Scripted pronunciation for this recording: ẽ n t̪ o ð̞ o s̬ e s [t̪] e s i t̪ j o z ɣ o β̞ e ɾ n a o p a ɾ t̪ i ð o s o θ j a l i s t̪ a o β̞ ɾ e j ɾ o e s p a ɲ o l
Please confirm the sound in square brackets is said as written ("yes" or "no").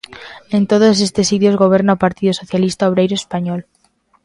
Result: yes